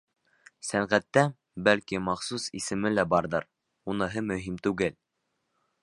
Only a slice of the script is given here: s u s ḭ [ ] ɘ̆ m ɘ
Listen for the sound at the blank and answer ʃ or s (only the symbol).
s